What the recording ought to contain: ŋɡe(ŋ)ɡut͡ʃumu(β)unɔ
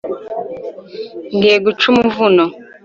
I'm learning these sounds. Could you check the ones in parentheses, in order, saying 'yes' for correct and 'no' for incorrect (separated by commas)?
no, no